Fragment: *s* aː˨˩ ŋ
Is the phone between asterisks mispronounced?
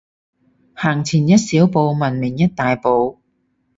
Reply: yes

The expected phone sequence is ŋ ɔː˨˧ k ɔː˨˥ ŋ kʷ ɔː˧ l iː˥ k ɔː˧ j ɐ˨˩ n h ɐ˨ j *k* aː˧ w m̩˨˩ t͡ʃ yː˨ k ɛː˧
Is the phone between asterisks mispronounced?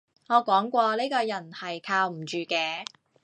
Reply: yes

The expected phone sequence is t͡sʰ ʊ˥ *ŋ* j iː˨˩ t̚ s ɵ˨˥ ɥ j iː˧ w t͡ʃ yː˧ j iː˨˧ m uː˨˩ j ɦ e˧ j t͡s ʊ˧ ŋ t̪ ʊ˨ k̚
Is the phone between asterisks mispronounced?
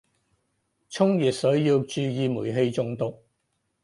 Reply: no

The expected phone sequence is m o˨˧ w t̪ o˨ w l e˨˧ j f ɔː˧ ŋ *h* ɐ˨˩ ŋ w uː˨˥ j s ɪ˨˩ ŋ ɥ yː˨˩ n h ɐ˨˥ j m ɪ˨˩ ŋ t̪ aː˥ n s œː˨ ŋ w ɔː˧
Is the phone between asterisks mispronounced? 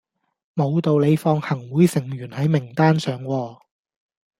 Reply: no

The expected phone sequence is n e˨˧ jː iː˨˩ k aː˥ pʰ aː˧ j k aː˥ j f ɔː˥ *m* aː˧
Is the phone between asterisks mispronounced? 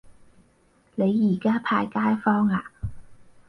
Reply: yes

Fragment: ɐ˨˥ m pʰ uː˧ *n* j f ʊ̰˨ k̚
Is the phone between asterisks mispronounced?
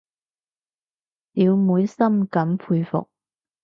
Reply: yes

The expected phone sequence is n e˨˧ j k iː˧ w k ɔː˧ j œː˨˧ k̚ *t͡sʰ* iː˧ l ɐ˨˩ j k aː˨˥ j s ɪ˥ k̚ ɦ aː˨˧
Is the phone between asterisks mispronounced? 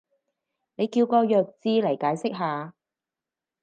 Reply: yes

